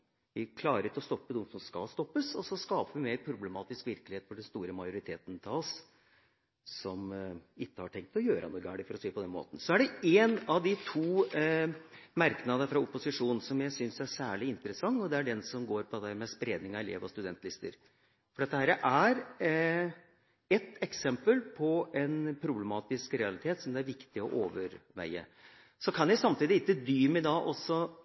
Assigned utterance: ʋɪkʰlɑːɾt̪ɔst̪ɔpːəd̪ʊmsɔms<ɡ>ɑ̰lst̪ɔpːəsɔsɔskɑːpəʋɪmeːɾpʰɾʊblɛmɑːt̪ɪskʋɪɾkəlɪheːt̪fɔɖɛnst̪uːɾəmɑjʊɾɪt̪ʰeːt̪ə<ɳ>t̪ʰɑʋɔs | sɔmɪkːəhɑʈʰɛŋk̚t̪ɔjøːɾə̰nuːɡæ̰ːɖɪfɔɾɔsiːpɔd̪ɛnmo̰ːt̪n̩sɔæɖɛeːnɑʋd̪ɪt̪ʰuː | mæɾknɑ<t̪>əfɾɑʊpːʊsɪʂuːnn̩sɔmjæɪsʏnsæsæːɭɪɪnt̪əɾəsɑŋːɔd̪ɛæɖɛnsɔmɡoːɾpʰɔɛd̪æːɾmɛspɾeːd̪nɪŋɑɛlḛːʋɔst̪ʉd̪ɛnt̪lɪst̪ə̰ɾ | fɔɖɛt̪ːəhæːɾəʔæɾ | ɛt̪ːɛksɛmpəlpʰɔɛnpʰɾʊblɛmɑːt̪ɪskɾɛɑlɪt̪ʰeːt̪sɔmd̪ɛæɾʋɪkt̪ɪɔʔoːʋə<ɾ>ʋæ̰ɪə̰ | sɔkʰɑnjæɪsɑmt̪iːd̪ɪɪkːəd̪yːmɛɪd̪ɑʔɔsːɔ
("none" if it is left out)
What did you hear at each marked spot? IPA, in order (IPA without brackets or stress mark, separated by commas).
k, n, d̪, ɾ